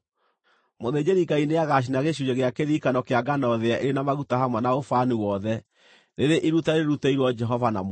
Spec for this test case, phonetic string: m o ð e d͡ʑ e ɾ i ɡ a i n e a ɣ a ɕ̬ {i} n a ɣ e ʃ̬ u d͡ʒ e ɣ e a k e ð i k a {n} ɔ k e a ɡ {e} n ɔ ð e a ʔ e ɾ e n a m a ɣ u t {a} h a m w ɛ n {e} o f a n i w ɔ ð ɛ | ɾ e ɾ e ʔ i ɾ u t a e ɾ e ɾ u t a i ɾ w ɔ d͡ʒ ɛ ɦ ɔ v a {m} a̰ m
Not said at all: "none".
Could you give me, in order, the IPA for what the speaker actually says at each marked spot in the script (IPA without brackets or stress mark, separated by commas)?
i, n, a, a, a, n